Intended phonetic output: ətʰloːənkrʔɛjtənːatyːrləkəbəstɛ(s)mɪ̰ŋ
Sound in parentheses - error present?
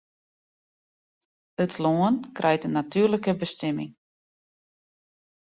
yes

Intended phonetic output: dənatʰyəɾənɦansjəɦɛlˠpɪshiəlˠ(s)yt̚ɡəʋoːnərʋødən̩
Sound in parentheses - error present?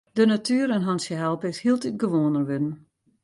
yes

